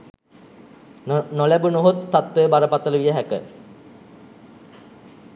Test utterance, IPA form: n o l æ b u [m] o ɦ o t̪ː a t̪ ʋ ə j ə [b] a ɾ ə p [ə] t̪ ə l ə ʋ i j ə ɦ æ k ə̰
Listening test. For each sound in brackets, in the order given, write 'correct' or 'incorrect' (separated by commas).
incorrect, correct, incorrect